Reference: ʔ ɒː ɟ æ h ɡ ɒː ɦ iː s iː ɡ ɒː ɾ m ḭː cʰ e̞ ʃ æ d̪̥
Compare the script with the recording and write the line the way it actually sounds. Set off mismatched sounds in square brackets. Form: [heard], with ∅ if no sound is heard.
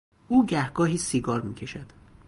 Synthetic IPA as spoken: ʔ [uː] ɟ æ h ɡ ɒː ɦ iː s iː ɡ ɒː ɾ m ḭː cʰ e̞ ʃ æ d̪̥